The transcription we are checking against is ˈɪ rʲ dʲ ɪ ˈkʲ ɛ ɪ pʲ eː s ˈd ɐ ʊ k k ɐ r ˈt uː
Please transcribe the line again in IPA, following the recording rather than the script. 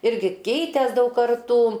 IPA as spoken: ˈɪ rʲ ɡʲ ɪ ˈkʲ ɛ ɪ tʲ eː s ˈd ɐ ʊ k k ɐ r ˈt uː